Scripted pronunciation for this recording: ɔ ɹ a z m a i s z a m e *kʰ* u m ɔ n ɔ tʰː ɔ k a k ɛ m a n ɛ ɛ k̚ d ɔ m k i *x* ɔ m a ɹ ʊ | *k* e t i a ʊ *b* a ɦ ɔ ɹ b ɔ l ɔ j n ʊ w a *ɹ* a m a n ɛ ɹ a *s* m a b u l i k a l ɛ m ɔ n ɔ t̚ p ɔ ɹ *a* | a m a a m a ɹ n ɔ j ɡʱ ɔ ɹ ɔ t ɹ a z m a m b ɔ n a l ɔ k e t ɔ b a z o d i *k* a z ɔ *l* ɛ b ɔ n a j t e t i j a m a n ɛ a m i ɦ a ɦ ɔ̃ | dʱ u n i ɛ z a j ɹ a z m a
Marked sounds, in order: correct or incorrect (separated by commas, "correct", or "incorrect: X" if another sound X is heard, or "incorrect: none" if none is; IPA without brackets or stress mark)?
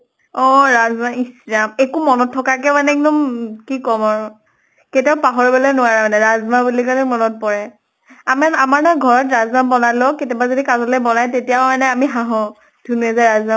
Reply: incorrect: k, incorrect: k, correct, incorrect: p, correct, incorrect: z, incorrect: ɛ, correct, correct